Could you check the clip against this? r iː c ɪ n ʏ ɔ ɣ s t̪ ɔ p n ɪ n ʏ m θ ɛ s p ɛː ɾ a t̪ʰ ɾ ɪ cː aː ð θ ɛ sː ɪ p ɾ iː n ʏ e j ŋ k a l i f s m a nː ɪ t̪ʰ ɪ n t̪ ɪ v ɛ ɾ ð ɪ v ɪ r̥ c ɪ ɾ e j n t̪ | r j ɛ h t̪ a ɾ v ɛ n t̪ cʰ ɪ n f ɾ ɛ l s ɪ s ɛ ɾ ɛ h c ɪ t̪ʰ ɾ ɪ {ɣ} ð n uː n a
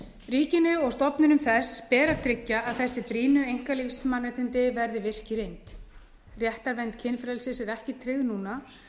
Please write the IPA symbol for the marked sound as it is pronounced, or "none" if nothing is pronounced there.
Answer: ɣ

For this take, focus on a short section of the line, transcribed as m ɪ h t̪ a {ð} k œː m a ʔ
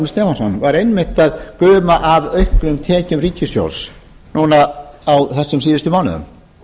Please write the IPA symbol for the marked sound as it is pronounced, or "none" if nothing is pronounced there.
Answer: ð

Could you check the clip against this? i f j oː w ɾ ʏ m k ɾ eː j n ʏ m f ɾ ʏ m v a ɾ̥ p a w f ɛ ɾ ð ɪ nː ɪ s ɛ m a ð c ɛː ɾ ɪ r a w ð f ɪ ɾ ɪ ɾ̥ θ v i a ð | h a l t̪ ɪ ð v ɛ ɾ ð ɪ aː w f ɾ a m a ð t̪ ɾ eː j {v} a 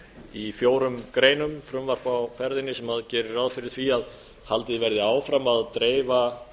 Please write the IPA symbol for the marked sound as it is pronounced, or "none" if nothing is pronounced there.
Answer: v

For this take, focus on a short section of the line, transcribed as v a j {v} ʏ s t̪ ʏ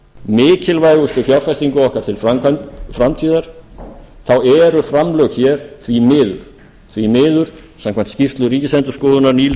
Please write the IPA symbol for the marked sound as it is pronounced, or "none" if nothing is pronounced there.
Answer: ɣ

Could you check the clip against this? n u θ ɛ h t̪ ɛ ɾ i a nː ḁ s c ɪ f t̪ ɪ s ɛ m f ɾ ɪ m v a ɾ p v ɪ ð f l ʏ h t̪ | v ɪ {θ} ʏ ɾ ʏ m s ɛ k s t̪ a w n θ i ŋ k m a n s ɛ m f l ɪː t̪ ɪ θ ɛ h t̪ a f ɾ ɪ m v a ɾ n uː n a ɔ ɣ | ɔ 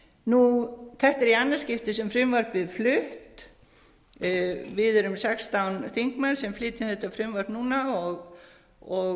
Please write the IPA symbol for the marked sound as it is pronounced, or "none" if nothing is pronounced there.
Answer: ð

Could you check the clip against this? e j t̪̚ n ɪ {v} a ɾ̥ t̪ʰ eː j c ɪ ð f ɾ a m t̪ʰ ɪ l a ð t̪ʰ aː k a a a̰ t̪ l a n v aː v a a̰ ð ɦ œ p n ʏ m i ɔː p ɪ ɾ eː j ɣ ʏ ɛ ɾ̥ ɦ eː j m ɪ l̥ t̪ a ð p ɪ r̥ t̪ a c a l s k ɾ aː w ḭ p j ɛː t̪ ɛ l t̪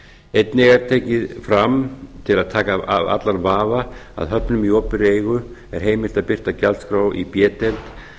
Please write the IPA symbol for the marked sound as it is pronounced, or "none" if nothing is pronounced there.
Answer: ɣ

